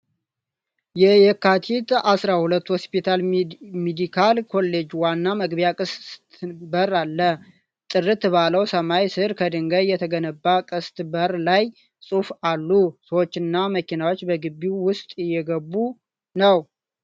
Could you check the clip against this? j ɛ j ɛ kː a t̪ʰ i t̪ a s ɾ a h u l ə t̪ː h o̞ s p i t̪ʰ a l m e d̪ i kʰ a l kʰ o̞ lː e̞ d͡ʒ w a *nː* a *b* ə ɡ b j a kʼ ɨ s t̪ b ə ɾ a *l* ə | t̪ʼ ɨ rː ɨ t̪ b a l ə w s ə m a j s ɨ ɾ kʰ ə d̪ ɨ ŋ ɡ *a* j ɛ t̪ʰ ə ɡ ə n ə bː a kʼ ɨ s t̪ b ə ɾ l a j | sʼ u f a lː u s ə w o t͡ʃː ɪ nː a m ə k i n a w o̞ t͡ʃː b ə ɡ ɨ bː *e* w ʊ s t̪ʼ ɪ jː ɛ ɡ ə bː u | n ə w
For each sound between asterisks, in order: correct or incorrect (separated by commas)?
correct, incorrect, incorrect, incorrect, incorrect